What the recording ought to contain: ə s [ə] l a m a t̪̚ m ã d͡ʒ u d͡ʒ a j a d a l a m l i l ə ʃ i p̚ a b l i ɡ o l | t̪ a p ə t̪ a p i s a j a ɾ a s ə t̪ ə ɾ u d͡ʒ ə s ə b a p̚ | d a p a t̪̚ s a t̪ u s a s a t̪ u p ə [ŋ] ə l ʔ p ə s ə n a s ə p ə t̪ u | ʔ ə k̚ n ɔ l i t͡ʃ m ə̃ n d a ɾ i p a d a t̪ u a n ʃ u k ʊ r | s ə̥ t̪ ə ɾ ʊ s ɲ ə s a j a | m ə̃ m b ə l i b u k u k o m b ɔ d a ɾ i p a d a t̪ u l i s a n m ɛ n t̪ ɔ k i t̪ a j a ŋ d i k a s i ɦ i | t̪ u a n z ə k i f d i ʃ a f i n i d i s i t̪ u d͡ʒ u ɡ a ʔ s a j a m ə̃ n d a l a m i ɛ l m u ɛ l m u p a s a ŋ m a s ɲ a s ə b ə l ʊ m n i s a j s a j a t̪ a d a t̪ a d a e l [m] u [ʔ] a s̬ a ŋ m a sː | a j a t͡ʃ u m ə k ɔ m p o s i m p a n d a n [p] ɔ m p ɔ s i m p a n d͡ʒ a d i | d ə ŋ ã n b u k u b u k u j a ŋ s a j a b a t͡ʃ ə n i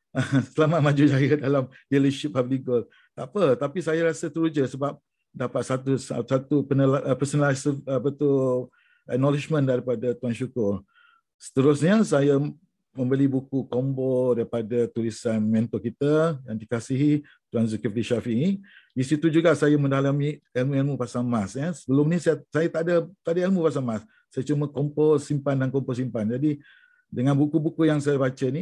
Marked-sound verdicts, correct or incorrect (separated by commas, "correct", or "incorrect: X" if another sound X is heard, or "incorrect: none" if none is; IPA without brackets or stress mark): correct, incorrect: n, correct, incorrect: p, incorrect: k